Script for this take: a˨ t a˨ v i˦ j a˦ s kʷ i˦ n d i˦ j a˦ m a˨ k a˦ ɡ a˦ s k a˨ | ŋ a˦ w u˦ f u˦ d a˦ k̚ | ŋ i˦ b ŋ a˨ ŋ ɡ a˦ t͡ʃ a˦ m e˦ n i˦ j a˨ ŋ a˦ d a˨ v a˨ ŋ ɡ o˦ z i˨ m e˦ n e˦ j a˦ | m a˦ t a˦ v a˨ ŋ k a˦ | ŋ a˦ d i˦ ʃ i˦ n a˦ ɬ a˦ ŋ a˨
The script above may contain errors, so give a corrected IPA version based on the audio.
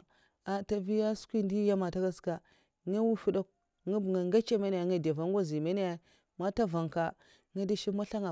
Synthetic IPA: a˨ t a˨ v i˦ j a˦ s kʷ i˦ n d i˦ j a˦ m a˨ t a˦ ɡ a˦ s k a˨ | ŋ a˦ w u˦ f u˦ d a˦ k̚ | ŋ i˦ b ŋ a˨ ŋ ɡ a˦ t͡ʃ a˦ m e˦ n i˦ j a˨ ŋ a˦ d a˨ v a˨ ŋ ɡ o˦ z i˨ m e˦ n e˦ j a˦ | m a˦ t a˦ v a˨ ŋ k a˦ | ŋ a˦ d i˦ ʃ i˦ m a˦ ɬ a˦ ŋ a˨